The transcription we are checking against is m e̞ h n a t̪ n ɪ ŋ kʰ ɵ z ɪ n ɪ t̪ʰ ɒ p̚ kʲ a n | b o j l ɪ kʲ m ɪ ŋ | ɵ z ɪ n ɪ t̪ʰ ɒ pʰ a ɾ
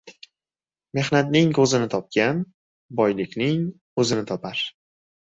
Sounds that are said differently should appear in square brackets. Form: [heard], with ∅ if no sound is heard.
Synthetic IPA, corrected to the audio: m e̞ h n a t̪ n ɪ ŋ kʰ ɵ z ɪ n ɪ t̪ʰ ɒ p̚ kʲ a n | b [ɒ] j l ɪ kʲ [n] ɪ ŋ | ɵ z ɪ n ɪ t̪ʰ ɒ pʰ a ɾ